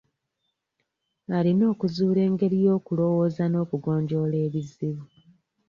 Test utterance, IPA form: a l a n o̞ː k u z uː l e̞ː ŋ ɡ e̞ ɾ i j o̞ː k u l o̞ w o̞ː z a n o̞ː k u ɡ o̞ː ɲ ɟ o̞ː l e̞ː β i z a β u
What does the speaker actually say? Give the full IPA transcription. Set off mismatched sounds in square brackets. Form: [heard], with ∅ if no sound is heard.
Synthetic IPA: a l [i] n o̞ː k u z uː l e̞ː ŋ ɡ e̞ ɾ i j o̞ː k u l o̞ w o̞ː z a n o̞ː k u ɡ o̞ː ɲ ɟ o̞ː l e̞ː β i z [i] β u